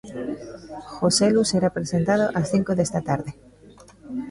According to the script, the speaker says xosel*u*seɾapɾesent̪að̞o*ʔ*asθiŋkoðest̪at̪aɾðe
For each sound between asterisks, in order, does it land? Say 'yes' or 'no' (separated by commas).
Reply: yes, yes